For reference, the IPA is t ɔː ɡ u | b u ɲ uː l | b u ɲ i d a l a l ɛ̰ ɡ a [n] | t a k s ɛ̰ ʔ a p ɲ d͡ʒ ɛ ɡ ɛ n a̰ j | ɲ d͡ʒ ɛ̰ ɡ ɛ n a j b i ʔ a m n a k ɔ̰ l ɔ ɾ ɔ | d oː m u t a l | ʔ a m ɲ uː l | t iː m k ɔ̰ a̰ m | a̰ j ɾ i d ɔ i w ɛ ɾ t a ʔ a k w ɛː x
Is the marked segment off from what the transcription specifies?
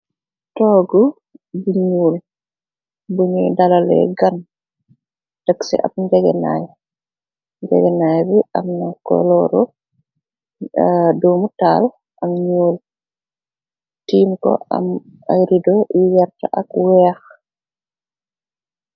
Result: no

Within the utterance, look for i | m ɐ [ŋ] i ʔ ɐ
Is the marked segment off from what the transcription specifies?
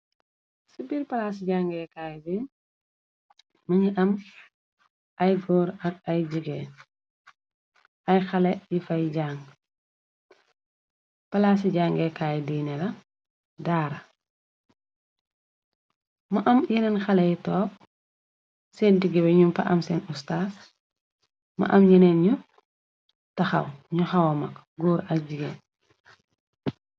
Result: yes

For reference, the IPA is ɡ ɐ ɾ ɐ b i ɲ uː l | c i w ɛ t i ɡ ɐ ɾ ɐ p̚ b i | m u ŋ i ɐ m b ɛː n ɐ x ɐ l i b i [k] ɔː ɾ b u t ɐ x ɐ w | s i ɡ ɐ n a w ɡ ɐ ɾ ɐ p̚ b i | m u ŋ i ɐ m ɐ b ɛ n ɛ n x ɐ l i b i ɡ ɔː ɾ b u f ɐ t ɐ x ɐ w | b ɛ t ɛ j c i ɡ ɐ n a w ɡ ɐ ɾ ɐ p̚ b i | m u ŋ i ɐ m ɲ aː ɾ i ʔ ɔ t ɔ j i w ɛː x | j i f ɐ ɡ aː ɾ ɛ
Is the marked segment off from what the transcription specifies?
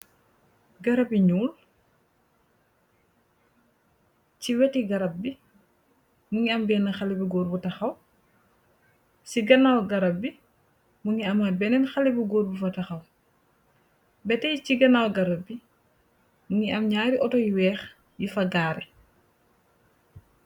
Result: yes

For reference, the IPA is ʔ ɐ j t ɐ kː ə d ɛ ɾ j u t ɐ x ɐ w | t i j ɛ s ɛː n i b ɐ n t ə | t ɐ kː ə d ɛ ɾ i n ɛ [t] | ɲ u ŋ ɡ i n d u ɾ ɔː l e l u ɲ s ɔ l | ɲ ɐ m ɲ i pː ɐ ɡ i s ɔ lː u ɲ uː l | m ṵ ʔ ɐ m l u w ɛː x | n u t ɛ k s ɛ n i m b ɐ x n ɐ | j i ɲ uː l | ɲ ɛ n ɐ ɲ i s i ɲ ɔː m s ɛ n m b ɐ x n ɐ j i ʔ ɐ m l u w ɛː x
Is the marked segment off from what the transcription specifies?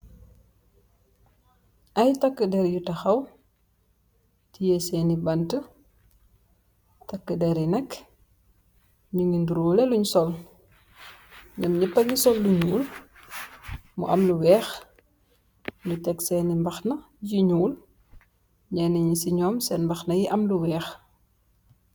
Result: yes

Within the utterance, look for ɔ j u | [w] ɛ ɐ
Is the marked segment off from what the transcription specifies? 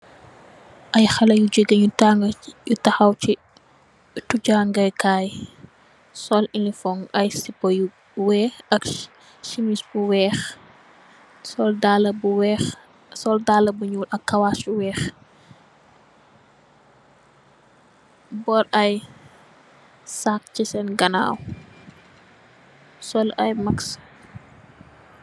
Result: no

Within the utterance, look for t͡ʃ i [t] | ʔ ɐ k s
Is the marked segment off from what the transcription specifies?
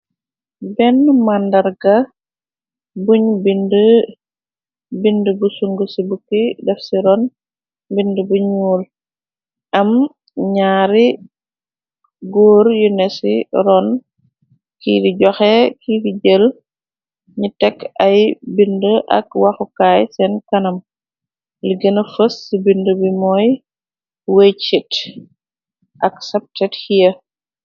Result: no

